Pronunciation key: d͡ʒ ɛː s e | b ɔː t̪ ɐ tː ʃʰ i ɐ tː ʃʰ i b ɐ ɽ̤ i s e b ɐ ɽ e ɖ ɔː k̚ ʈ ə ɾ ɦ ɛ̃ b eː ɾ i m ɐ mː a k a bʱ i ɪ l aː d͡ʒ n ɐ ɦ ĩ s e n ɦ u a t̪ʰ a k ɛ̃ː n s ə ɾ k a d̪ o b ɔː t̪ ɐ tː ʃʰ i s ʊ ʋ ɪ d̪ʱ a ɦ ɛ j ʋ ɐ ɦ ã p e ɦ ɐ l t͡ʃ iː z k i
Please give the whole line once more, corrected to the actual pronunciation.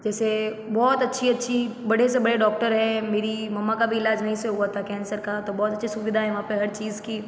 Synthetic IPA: d͡ʒ ɛː s e | b ɔː t̪ ɐ tː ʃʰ i ɐ tː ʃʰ i b ɐ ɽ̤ e s e b ɐ ɽ e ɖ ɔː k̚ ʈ ə ɾ ɦ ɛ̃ m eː ɾ i m ɐ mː a k a bʱ i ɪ l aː d͡ʒ n ɐ ɦ ĩ s e ɦ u a t̪ʰ a k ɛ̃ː n s ə ɾ k a t̪ o b ɔː t̪ ɐ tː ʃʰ i s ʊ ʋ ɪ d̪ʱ a ɦ ɛ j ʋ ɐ ɦ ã p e ɦ ɐ ɾ t͡ʃ iː z k i

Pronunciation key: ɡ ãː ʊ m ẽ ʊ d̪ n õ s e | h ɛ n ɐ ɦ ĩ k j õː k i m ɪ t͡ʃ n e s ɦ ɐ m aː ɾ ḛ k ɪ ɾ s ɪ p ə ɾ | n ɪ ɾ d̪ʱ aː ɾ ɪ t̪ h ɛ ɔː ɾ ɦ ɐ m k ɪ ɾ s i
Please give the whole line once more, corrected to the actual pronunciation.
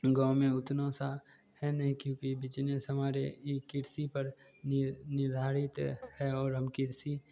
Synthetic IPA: ɡ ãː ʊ m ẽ ʊ t̪ n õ s a | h ɛ n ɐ ɦ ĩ k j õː k i b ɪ t͡ʃ n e s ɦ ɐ m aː ɾ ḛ k ɪ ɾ s i p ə ɾ | n ɪ ɾ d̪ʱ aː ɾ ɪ t̪ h ɛ ɔː ɾ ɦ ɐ m k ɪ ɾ s i

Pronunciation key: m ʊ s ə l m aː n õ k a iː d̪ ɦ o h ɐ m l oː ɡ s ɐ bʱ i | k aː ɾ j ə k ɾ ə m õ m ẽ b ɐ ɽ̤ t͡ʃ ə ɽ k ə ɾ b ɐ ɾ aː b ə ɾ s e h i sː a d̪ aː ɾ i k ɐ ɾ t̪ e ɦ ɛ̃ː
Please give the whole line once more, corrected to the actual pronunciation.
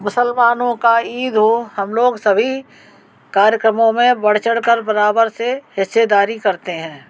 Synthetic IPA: m ʊ s ə l m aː n õ k a iː d̪ ɦ o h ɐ m l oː ɡ s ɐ bʱ i | k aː ɾ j ə k ɾ ə m õ m ẽ b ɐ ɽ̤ t͡ʃ ə ɽ k ə ɾ b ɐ ɾ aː b ə ɾ s e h ɪ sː e d̪ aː ɾ i k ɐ ɾ t̪ e ɦ ɛ̃ː

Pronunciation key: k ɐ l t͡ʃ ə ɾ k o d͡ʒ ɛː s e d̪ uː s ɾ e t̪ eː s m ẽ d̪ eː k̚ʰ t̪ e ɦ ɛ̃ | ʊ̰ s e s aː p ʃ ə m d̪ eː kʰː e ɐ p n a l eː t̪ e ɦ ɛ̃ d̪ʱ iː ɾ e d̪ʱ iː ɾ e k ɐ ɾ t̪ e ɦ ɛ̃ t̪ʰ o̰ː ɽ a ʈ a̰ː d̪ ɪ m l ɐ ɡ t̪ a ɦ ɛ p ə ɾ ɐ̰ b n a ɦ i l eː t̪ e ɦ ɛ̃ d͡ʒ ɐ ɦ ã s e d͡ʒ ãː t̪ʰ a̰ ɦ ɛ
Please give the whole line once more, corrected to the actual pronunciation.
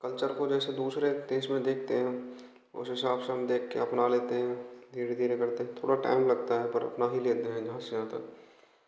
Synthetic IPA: k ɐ l t͡ʃ ə ɾ k o d͡ʒ ɛː s e d̪ uː s ɾ e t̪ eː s m ẽ d̪ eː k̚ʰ t̪ e ɦ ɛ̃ | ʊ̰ s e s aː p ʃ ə m d̪ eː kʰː e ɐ p n a l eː t̪ e ɦ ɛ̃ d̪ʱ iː ɾ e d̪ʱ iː ɾ e k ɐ ɾ t̪ e ɦ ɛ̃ t̪ʰ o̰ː ɽ a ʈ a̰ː ɪ m l ɐ ɡ t̪ a ɦ ɛ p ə ɾ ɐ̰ p n a ɦ i l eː t̪ e ɦ ɛ̃ d͡ʒ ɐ ɦ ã s e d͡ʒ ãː t̪ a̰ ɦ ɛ

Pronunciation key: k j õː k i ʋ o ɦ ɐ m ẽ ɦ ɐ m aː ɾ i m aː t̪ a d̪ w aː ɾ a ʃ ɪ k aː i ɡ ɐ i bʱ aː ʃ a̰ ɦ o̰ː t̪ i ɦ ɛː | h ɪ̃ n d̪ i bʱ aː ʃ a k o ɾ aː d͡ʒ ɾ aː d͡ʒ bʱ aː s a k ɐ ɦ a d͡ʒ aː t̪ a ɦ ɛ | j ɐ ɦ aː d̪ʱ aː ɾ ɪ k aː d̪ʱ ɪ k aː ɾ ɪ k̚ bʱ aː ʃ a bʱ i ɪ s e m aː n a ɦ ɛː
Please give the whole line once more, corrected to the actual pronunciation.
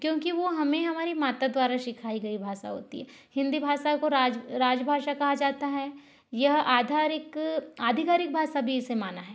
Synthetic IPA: k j õː k i ʋ o ɦ ɐ m ẽ ɦ ɐ m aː ɾ i m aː t̪ a d̪ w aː ɾ a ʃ ɪ kʰ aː i ɡ ɐ i bʱ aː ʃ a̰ ɦ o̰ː t̪ i ɦ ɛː | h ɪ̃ n d̪ i bʱ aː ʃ a k o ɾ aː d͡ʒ ɾ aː d͡ʒ bʱ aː ʃ a k ɐ ɦ a d͡ʒ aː t̪ a ɦ ɛ | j ɐ ɦ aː d̪ʱ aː ɾ ɪ k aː d̪ʱ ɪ k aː ɾ ɪ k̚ bʱ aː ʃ a bʱ i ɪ s e m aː n a ɦ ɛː

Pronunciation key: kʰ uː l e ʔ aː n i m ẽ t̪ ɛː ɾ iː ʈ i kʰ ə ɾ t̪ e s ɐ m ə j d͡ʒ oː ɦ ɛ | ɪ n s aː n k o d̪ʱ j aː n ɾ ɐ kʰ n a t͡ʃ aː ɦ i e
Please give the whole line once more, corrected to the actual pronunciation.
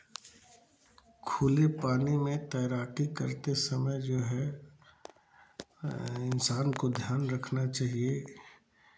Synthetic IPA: kʰ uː l e p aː n i m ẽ t̪ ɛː ɾ aː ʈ i k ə ɾ t̪ e s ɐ m ə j d͡ʒ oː ɦ ɛ | ɪ n s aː n k o d̪ʱ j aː n ɾ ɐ kʰ n a t͡ʃ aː ɦ i e

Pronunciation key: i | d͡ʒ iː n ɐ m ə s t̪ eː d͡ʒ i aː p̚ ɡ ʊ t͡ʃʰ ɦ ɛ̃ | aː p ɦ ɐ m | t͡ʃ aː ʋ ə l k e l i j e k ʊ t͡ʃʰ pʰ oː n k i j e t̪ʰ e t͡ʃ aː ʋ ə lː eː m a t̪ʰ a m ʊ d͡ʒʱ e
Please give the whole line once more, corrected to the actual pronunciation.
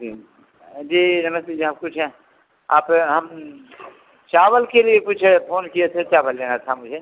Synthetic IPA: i | d͡ʒ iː n ɐ m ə s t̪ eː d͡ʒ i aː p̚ k ʊ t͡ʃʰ ɦ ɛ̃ | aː p ɦ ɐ m | t͡ʃ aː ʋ ə l k e l i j e k ʊ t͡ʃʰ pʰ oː n k i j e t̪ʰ e t͡ʃ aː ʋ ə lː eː n a t̪ʰ a m ʊ d͡ʒʱ e

